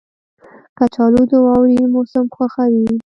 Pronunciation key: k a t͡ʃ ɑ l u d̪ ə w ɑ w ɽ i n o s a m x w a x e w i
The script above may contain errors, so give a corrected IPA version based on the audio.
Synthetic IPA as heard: k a t͡ʃ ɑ l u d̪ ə w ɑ w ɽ i m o s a m x w a x a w i